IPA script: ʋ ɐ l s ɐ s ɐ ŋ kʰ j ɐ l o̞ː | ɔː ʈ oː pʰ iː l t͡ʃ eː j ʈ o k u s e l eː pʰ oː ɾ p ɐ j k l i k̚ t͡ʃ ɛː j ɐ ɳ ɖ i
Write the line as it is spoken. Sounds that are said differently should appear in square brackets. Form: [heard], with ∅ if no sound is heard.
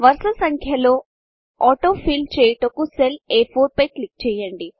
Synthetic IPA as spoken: ʋ ɐ [ɾ] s ɐ s ɐ ŋ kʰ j ɐ l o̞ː | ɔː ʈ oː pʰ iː l t͡ʃ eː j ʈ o k u s e l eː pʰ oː ɾ p ɐ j k l i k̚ t͡ʃ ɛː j ɐ ɳ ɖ i